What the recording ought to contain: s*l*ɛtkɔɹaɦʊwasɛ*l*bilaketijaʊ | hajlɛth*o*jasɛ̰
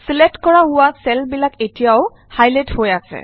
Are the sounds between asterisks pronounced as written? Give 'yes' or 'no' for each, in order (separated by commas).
yes, yes, yes